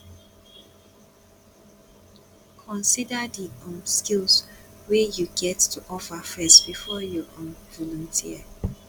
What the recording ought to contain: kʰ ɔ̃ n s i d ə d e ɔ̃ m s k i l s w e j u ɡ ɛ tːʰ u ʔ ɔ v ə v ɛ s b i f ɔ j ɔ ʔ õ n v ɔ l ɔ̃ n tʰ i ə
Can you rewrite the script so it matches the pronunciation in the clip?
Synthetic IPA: kʰ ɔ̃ n s i d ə d i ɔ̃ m s k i l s w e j u ɡ ɛ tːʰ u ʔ ɔ f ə f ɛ s b i f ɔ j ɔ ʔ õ n v ɔ l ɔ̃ n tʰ i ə